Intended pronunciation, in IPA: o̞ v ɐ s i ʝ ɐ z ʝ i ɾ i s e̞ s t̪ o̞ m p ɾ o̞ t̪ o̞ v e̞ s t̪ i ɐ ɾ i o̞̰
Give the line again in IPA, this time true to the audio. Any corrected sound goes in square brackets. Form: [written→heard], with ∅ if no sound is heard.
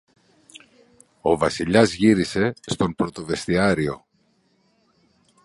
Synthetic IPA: o̞ v ɐ s i [ʝ→ʎ] ɐ z ʝ i ɾ i s e̞ s t̪ o̞ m p ɾ o̞ t̪ o̞ v e̞ s t̪ i ɐ ɾ i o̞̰